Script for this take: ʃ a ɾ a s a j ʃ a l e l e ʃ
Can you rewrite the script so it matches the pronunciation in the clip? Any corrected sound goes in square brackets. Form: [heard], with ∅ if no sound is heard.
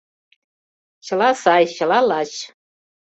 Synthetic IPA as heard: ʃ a [l] a s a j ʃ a l [a] l [a] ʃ